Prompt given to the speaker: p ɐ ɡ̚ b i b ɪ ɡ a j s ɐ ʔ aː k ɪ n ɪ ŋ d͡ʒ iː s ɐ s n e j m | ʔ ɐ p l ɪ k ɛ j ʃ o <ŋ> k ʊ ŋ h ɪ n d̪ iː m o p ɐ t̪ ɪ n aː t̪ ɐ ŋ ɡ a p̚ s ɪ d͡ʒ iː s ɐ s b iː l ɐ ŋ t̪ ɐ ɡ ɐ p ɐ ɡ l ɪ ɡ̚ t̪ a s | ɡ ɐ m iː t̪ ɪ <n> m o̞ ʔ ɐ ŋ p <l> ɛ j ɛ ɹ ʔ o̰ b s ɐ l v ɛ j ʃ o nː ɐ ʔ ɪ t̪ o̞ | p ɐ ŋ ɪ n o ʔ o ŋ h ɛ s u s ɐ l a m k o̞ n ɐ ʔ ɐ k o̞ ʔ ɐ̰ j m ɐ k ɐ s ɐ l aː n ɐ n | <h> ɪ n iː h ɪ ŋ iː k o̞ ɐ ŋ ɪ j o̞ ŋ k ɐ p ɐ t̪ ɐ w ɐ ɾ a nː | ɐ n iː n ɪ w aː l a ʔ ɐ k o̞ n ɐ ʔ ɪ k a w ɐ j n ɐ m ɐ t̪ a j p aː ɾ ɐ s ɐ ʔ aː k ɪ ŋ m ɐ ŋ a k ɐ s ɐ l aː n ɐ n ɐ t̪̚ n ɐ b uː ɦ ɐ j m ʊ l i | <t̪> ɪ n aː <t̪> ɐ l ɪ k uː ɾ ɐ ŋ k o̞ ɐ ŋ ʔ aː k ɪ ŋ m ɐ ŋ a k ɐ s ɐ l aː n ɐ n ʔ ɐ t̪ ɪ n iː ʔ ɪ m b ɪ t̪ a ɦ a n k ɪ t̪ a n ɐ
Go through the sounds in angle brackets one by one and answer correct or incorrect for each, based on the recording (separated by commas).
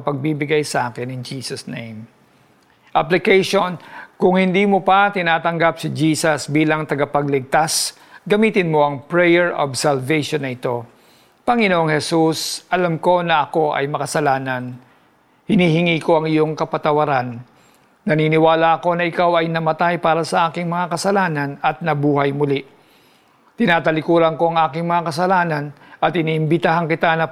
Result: incorrect, correct, incorrect, correct, correct, correct